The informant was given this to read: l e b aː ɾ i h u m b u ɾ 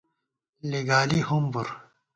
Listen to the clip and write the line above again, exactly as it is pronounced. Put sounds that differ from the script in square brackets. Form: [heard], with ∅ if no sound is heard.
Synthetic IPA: l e [ɡ] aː [l] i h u m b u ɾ